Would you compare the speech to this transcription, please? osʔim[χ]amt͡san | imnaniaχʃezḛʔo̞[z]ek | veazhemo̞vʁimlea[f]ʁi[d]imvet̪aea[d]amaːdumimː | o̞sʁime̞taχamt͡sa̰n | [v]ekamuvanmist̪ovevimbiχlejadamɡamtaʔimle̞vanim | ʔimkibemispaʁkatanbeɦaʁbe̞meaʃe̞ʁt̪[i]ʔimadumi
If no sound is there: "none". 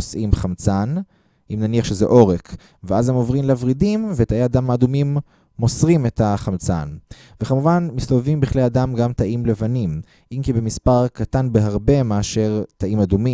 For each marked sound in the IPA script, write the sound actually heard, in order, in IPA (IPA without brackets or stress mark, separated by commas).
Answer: χ, ʁ, v, d, d, v, a